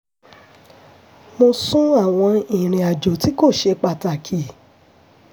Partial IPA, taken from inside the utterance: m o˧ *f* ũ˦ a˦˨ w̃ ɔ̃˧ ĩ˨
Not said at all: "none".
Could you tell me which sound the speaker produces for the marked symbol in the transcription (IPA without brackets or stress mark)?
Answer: s